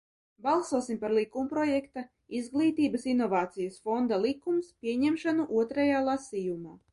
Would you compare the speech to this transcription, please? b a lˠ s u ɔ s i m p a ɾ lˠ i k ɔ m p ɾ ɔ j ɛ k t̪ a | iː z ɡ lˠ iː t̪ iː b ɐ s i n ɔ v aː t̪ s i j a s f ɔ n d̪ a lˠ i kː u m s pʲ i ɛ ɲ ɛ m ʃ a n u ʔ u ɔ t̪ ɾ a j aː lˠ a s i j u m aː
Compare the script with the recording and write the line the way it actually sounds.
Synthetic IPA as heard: b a lˠ s u ɔ s i m p a ɾ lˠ i k u m p ɾ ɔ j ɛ k t̪ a | i z ɡ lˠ iː t̪ iː b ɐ s i n ɔ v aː t̪ s i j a s f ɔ n d̪ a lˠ i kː u m s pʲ i ɛ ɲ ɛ m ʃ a n u ʔ u ɔ t̪ ɾ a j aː lˠ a s i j u m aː